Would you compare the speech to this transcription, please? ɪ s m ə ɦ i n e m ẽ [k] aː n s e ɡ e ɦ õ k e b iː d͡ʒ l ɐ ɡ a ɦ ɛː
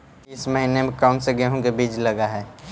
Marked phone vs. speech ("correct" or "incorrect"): correct